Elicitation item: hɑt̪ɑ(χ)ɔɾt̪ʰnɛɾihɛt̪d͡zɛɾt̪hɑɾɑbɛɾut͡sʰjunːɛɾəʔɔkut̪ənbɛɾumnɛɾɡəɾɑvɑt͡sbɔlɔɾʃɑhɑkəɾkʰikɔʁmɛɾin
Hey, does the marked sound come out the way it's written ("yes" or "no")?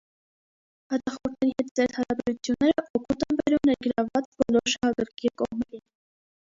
yes